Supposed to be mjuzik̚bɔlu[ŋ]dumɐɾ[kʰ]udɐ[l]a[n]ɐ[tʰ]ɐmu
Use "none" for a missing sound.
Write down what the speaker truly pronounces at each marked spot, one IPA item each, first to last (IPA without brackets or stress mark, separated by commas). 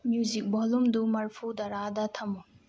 m, pʰ, ɾ, d, tʰ